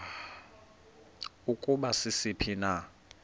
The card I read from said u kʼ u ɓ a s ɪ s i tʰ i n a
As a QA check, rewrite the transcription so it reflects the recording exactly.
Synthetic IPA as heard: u kʼ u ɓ a s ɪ s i pʰ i n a